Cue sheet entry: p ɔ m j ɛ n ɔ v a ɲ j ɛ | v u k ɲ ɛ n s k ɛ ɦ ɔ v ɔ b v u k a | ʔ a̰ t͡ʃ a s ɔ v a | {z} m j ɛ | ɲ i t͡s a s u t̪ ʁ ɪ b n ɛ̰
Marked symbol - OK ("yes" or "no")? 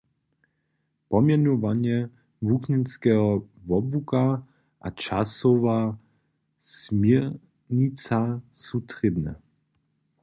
no